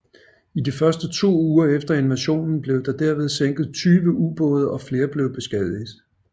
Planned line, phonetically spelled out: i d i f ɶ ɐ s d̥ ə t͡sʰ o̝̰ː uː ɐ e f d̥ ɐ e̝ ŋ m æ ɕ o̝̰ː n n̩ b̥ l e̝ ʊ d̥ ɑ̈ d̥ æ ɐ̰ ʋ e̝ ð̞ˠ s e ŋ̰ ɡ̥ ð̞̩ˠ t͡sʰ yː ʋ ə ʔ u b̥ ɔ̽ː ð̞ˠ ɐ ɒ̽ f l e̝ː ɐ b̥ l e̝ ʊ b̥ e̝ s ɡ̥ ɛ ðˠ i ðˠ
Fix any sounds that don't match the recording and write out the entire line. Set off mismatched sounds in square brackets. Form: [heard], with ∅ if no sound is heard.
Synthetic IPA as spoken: i d i f ɶ ɐ s d̥ ə t͡sʰ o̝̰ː uː ɐ e f d̥ ɐ e̝ [n] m æ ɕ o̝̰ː n n̩ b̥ l e̝ ʊ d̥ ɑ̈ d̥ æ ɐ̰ ʋ e̝ ð̞ˠ s e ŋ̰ ɡ̥ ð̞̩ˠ t͡sʰ yː ʋ ə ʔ u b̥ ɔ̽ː ð̞ˠ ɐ ɒ̽ f l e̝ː ɐ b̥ l e̝ ʊ b̥ e̝ s ɡ̥ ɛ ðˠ i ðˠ